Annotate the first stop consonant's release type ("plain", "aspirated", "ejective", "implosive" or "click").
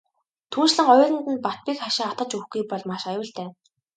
aspirated